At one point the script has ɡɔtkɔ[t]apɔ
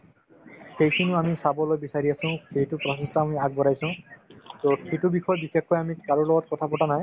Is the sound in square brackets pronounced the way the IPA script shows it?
no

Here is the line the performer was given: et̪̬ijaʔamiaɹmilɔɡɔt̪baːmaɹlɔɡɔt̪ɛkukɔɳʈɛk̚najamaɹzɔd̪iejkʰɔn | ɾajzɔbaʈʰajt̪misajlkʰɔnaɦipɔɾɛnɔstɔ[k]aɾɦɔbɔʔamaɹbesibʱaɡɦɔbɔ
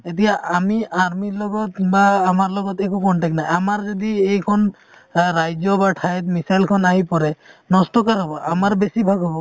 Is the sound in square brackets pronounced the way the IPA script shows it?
yes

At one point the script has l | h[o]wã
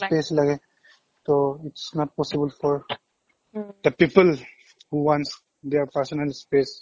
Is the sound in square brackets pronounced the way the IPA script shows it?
no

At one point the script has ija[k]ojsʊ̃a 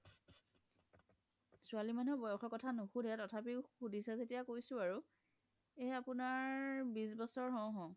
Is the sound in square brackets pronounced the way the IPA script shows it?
yes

